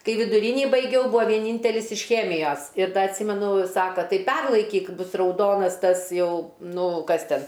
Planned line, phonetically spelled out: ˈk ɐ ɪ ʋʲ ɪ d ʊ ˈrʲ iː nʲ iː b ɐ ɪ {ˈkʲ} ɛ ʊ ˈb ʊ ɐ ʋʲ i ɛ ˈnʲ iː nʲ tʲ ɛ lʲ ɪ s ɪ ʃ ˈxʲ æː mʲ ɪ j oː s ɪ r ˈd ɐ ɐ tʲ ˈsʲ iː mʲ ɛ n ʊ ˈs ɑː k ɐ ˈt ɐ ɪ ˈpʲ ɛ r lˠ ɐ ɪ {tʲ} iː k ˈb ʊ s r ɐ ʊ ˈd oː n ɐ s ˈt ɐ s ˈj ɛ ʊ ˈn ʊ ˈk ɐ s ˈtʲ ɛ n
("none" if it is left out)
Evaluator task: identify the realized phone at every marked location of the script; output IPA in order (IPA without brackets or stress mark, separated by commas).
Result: ɡʲ, kʲ